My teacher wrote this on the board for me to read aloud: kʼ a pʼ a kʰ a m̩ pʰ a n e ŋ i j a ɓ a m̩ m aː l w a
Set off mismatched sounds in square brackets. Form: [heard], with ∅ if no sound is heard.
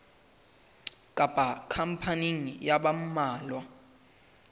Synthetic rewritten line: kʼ a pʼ a kʰ a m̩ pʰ a n [i] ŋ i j a ɓ a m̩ m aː l w a